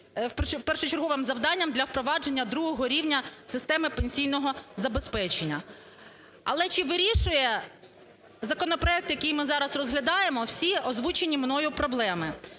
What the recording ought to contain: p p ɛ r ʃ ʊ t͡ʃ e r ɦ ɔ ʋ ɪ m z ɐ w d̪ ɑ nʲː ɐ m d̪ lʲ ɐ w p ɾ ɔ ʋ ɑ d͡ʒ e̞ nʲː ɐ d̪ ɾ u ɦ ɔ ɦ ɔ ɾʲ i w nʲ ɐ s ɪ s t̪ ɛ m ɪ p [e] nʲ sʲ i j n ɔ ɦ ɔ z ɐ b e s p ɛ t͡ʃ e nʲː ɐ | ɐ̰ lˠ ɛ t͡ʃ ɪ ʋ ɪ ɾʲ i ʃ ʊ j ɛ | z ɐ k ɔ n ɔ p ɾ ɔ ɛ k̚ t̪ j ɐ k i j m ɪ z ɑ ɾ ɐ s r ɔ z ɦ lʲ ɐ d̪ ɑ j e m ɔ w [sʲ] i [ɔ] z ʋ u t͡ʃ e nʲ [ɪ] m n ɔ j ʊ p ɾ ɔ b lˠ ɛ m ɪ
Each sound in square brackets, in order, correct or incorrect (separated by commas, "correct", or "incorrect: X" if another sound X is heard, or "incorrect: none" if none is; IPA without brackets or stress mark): correct, correct, correct, incorrect: i